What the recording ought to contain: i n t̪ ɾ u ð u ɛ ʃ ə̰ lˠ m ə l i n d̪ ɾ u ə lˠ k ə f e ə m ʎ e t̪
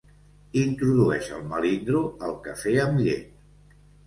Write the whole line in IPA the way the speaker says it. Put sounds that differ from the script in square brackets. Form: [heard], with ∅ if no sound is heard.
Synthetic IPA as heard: i n t̪ ɾ u ð u ɛ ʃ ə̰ lˠ m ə l i n d̪ ɾ u ə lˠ k ə f e ə m ʎ e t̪